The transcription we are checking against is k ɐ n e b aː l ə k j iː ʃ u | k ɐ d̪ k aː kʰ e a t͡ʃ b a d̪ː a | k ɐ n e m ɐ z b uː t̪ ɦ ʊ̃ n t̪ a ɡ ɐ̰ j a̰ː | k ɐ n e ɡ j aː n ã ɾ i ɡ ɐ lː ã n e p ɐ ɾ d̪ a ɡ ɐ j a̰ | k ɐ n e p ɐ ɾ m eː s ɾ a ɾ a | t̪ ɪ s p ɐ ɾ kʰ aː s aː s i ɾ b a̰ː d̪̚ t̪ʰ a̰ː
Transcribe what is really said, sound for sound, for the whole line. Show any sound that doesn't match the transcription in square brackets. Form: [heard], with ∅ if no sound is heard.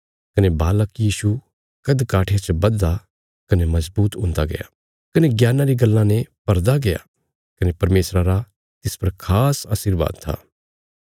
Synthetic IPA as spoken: k ɐ n e b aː l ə k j iː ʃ u | k ɐ d̪ k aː [ʈʰ] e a t͡ʃ b [ɐ] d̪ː a | k ɐ n e m ɐ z b uː t̪ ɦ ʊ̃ n [d̪] a ɡ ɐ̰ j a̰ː | k ɐ n e ɡ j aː n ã ɾ i ɡ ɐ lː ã n e p ɐ ɾ d̪ a ɡ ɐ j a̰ | k ɐ n e p ɐ ɾ m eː s ɾ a ɾ a | t̪ ɪ s p ɐ ɾ kʰ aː s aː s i ɾ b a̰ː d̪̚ t̪ʰ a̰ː